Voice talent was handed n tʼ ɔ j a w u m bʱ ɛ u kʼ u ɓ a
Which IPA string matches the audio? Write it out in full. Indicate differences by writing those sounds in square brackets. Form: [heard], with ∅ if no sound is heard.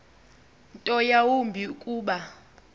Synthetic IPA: n tʼ ɔ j a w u m bʱ [i] u kʼ [uː] ɓ a